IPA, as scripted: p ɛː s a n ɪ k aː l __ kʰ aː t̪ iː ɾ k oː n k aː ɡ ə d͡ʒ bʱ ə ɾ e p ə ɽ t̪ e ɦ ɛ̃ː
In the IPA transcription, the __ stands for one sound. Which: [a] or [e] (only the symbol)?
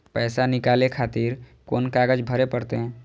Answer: e